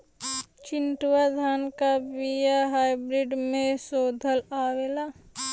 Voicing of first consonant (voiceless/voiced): voiceless